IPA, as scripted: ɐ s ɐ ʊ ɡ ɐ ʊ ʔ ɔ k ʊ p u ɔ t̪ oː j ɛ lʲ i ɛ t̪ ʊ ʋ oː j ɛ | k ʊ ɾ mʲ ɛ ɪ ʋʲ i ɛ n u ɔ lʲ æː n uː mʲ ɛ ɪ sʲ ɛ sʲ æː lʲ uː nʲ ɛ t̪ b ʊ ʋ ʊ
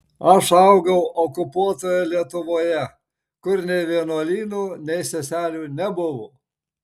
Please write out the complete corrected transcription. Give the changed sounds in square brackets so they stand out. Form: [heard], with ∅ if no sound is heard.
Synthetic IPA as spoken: ɐ [ʃ] ɐ ʊ ɡ ɐ ʊ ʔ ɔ k ʊ p u ɔ t̪ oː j ɛ lʲ i ɛ t̪ ʊ ʋ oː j ɛ | k ʊ ɾ [nʲ] ɛ ɪ ʋʲ i ɛ n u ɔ lʲ [iː] n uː [nʲ] ɛ ɪ sʲ ɛ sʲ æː lʲ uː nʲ ɛ [∅] b ʊ ʋ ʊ